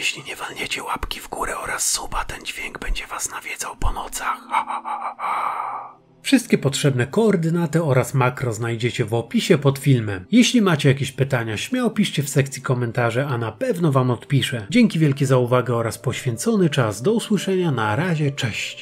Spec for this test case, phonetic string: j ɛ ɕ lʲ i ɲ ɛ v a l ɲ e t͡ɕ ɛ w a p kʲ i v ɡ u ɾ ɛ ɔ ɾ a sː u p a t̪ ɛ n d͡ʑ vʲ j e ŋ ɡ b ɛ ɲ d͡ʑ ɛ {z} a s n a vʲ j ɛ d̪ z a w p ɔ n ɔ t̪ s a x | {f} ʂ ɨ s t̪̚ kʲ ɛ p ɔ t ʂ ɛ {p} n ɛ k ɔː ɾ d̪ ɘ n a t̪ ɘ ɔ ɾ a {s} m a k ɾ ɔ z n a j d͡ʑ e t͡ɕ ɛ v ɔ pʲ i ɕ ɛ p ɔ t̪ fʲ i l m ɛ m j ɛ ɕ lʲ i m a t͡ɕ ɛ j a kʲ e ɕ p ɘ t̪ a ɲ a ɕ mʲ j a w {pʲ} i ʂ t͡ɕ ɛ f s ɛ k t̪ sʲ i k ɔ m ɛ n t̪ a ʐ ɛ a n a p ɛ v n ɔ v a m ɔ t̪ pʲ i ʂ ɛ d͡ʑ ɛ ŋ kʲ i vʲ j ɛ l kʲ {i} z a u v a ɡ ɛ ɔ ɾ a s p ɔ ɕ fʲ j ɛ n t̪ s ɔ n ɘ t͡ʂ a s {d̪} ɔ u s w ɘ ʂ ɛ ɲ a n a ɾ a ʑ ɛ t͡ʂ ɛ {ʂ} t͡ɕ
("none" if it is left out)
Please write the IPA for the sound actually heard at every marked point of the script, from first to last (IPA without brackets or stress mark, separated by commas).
v, f, b, s, pʲ, ɛ, d̪, ɕ